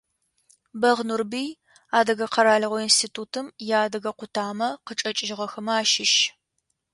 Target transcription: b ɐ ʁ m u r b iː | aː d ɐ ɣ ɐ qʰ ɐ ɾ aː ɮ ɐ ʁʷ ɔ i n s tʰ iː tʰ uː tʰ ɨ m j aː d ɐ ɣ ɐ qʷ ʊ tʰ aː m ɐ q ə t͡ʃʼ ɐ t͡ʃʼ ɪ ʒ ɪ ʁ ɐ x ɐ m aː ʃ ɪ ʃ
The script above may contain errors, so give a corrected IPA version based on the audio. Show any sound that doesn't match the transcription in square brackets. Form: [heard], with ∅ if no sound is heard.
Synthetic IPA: b ɐ ʁ [n] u r b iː | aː d ɐ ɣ ɐ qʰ ɐ ɾ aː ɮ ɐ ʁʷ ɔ i n s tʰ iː tʰ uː tʰ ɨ m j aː d ɐ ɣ ɐ qʷ ʊ tʰ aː m ɐ q ə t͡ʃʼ ɐ t͡ʃʼ ɪ ʒ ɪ ʁ ɐ x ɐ m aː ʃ ɪ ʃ

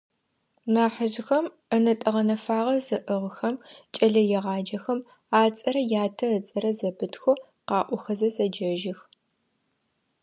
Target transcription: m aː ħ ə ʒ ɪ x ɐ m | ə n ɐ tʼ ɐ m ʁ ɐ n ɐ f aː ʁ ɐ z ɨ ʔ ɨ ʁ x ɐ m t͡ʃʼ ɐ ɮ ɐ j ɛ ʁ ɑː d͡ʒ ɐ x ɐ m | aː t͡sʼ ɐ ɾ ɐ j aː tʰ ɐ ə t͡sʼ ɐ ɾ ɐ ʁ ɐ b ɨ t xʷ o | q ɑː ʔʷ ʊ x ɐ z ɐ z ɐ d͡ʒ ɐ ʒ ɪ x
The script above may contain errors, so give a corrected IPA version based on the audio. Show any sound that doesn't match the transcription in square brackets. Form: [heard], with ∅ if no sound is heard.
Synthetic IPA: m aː ħ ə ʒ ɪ x ɐ m | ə n ɐ tʼ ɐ [∅] ʁ ɐ n ɐ f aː ʁ ɐ z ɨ ʔ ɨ ʁ x ɐ m t͡ʃʼ ɐ ɮ ɐ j ɛ ʁ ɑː d͡ʒ ɐ x ɐ m | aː t͡sʼ ɐ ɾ ɐ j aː tʰ ɐ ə t͡sʼ ɐ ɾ ɐ [z] ɐ b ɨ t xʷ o | q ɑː ʔʷ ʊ x ɐ z ɐ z ɐ d͡ʒ ɐ ʒ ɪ x

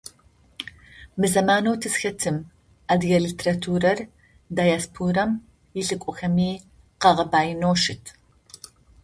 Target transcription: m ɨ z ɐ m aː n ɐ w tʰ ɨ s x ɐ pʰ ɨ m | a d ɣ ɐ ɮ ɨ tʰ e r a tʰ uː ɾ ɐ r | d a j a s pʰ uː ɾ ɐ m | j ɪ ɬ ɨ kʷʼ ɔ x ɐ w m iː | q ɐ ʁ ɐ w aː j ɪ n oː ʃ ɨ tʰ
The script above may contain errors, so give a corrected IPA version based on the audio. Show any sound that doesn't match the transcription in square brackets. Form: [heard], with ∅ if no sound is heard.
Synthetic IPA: m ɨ z ɐ m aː n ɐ w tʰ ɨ s x ɐ [tʰ] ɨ m | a d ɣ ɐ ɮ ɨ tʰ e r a tʰ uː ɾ ɐ r | d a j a s pʰ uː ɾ ɐ m | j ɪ ɬ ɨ kʷʼ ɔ x ɐ [∅] m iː | q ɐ ʁ ɐ [b] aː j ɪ n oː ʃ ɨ tʰ

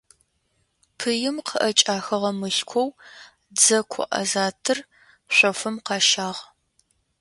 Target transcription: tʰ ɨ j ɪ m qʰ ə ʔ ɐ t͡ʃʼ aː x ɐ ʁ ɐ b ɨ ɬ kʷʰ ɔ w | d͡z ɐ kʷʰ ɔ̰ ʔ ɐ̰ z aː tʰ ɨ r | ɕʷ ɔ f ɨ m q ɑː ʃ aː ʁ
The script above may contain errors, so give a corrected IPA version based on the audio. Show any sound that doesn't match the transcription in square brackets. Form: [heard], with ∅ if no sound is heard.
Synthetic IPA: [pʰ] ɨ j ɪ m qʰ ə ʔ ɐ t͡ʃʼ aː x ɐ ʁ ɐ [m] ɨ ɬ kʷʰ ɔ w | d͡z ɐ kʷʰ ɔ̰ ʔ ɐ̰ z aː tʰ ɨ r | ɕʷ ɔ f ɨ m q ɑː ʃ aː ʁ

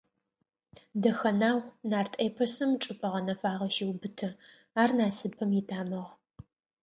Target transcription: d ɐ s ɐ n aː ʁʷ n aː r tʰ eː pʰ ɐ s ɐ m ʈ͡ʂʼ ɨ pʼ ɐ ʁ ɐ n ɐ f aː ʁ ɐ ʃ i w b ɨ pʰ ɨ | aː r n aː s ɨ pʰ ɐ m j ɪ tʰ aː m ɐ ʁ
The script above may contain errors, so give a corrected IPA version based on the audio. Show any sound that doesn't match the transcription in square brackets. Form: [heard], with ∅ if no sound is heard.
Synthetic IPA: d ɐ [x] ɐ n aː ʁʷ n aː r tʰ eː pʰ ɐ s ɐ m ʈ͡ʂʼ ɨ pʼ ɐ ʁ ɐ n ɐ f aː ʁ ɐ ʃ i w b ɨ [tʰ] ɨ | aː r n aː s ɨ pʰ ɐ m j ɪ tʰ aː m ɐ ʁ

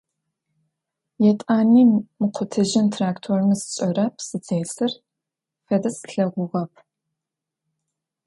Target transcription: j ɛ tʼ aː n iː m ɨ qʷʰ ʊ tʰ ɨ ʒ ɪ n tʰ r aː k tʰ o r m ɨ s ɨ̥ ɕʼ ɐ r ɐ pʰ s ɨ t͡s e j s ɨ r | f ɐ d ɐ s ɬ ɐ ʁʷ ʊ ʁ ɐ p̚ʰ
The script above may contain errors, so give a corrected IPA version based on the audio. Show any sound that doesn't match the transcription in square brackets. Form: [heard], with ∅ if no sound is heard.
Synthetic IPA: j ɛ tʼ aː n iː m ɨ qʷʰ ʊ tʰ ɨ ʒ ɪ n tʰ r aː k tʰ o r m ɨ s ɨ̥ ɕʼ ɐ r ɐ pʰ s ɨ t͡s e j s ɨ r | f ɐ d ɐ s ɬ ɐ ʁʷ ʊ ʁ ɐ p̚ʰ

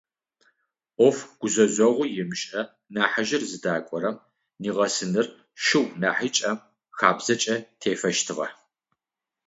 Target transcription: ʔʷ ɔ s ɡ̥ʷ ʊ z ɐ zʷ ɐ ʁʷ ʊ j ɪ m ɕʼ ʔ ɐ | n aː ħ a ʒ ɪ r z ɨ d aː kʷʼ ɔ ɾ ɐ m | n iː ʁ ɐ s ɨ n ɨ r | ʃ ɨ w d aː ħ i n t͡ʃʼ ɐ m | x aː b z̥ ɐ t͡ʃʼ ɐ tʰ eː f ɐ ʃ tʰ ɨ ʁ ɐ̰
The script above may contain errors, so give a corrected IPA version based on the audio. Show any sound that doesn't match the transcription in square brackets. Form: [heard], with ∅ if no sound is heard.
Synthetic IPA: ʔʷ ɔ [f] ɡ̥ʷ ʊ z ɐ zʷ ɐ ʁʷ ʊ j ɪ m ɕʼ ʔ ɐ | n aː ħ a ʒ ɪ r z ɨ d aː kʷʼ ɔ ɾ ɐ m | n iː ʁ ɐ s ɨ n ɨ r | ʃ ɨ w [n] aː ħ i [∅] t͡ʃʼ ɐ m | x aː b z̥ ɐ t͡ʃʼ ɐ tʰ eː f ɐ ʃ tʰ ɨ ʁ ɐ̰

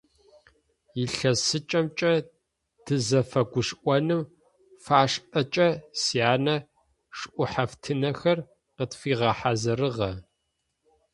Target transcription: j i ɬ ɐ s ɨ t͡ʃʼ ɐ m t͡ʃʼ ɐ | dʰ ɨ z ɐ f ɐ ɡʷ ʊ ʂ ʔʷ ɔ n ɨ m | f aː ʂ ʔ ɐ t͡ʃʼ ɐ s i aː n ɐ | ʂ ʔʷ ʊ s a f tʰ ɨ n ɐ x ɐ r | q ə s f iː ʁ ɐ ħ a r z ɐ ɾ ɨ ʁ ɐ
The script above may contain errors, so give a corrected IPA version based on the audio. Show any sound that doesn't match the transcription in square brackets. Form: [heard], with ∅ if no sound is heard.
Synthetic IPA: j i ɬ ɐ s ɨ t͡ʃʼ ɐ m t͡ʃʼ ɐ | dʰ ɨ z ɐ f ɐ ɡʷ ʊ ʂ ʔʷ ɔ n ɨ m | f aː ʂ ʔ ɐ t͡ʃʼ ɐ s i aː n ɐ | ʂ ʔʷ ʊ [ħ] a f tʰ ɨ n ɐ x ɐ r | q ə [t] f iː ʁ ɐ ħ a [∅] z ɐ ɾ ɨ ʁ ɐ

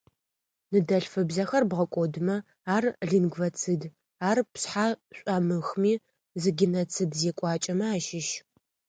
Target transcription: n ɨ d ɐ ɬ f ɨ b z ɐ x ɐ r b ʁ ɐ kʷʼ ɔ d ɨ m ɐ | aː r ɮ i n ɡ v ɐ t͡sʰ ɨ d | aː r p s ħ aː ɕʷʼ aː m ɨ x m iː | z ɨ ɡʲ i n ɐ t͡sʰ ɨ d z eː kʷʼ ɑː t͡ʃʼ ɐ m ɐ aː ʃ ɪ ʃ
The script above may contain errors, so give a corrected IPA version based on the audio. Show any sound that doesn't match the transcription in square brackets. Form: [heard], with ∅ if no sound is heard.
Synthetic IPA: n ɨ d ɐ ɬ f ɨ b z ɐ x ɐ r b ʁ ɐ kʷʼ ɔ d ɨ m ɐ | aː r ɮ i n ɡ v ɐ t͡sʰ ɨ d | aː r p s ħ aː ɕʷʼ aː m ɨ x m iː | z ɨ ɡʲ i n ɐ t͡sʰ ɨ d z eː kʷʼ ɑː t͡ʃʼ ɐ m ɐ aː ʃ ɪ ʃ

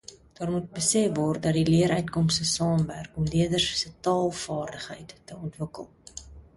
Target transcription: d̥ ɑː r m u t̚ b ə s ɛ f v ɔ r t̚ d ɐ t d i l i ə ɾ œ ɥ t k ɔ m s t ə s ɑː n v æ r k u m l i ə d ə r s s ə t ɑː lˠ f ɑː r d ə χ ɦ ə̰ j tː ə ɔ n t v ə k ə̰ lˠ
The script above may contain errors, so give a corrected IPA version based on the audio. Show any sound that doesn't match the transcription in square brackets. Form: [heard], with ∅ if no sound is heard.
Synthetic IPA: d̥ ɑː r m u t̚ b ə s ɛ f v ɔ r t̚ d ɐ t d i l i ə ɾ œ ɥ t k ɔ m s t ə s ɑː [m] v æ r k [ɔ] m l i ə d ə r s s ə t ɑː lˠ f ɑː r d ə χ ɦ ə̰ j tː ə ɔ n t v ə k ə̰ lˠ

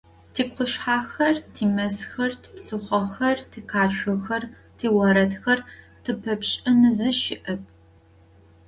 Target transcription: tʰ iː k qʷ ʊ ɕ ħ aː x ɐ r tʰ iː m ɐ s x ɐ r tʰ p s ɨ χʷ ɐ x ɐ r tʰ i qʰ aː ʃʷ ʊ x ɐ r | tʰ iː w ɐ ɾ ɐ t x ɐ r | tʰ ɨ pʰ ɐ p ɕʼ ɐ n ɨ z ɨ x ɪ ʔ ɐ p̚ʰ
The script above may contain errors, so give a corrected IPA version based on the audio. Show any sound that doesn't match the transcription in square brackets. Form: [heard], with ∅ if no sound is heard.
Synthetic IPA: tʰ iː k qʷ ʊ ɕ ħ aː x ɐ r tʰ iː m ɐ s x ɐ r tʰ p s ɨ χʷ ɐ x ɐ r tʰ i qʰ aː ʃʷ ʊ x ɐ r | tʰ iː w ɐ ɾ ɐ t x ɐ r | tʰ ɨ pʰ ɐ p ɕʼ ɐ n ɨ z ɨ [ʃ] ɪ ʔ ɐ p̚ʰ

